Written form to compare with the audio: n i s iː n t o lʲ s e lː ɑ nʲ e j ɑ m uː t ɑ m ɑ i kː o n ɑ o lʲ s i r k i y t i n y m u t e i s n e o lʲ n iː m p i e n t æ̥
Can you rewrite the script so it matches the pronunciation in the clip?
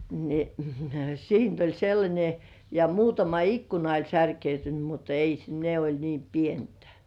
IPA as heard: n i s iː n t o lʲ s e lː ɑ nʲ e j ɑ m uː t ɑ m ɑ i kː u n ɑ o lʲ s æ r k e y t y n y m u t e i s n e o lʲ n iː m p i e n t æ̥